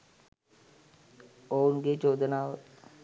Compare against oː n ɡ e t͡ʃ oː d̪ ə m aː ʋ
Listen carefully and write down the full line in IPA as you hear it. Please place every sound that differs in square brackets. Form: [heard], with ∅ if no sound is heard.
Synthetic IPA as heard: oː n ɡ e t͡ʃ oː d̪ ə [n] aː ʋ